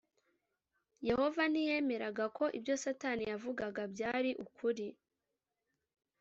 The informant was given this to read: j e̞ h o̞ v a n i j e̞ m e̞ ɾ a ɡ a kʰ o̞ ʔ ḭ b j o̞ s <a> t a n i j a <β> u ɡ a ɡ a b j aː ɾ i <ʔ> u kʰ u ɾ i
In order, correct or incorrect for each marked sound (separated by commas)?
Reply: correct, incorrect, correct